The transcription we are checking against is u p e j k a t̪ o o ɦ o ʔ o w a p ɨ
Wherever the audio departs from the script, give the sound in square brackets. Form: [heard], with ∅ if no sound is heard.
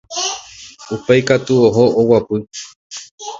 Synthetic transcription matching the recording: u p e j k a t̪ [u] o ɦ o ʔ o w a p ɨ